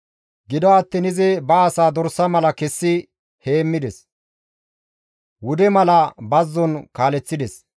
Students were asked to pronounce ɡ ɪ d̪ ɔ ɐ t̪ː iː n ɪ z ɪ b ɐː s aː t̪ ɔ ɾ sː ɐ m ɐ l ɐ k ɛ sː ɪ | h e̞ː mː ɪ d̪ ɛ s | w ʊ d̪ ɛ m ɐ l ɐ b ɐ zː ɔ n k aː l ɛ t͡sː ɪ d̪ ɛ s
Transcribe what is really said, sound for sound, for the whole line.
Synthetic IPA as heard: ɡ ɪ d̪ ɔ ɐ t̪ː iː n ɪ z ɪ b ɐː s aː d̪ ɔ ɾ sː ɐ m ɐ l ɐ k ɛ sː ɪ | h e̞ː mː ɪ d̪ ɛ s | w ʊ d̪ ɛ m ɐ l ɐ b ɐ zː ɔ n k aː l ɛ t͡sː ɪ d̪ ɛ s

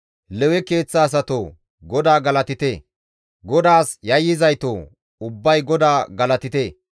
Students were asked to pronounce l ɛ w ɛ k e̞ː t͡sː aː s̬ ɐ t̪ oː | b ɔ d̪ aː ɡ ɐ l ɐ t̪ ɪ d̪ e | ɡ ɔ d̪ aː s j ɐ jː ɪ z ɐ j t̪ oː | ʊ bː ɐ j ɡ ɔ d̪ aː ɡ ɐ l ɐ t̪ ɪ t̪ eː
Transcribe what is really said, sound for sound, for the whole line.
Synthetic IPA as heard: l ɛ w ɛ k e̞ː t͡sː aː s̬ ɐ t̪ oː | ɡ ɔ d̪ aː ɡ ɐ l ɐ t̪ ɪ t̪ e | ɡ ɔ d̪ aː s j ɐ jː ɪ z ɐ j t̪ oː | ʊ bː ɐ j ɡ ɔ d̪ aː ɡ ɐ l ɐ t̪ ɪ t̪ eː

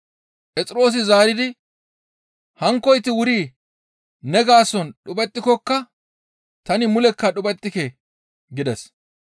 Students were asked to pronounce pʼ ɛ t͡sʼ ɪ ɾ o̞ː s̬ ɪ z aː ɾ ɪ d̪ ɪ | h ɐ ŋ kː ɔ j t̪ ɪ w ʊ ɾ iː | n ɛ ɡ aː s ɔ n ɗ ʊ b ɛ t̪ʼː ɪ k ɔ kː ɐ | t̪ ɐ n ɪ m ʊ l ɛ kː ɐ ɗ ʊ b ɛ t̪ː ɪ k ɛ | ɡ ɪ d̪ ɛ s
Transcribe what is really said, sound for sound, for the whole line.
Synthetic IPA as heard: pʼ ɛ t͡sʼ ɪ ɾ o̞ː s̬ ɪ z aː ɾ ɪ d̪ ɪ | h ɐ ŋ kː ɔ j t̪ ɪ w ʊ ɾ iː | n ɛ ɡ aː s ɔ n ɗ ʊ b ɛ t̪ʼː ɪ k ɔ kː ɐ | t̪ ɐ n ɪ m ʊ l ɛ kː ɐ ɗ ʊ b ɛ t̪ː ɪ k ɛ | ɡ ɪ d̪ ɛ s

